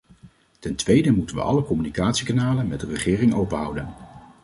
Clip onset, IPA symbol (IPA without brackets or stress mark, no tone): t